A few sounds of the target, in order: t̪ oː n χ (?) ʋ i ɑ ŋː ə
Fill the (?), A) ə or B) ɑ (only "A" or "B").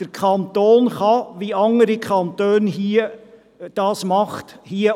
B